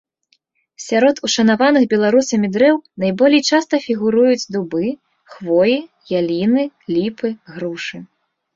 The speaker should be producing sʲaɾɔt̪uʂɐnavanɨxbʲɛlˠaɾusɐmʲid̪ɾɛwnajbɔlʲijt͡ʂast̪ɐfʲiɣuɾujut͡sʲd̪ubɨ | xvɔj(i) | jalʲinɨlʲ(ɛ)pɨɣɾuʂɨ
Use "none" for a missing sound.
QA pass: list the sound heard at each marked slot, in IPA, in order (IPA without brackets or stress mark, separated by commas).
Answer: i, i